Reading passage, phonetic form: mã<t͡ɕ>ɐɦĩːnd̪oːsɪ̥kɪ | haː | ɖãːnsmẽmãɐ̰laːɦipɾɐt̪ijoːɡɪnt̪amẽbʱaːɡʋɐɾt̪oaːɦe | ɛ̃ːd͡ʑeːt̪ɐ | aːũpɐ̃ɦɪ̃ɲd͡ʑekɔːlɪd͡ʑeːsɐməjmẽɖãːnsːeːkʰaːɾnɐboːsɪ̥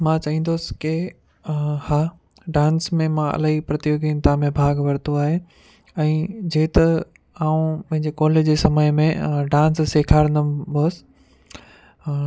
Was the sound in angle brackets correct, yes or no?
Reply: yes